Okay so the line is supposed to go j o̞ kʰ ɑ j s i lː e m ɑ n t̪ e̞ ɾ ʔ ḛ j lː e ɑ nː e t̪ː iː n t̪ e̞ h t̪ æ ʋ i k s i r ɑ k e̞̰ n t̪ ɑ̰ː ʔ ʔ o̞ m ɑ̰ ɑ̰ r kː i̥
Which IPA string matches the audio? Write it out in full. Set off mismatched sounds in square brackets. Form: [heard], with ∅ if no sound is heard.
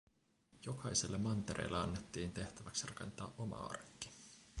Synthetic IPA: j o̞ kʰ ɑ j s [e] lː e m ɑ n t̪ e̞ ɾ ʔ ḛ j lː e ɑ nː e t̪ː iː n t̪ e̞ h t̪ æ ʋ [æ] k s i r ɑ k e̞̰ n t̪ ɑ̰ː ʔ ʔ o̞ m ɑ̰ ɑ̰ r kː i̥